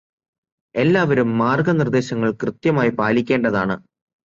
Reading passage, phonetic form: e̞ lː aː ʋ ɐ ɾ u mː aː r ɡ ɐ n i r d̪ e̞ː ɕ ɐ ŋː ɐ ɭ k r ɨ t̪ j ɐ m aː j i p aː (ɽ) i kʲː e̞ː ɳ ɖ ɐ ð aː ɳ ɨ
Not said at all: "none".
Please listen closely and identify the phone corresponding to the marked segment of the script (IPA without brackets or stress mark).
l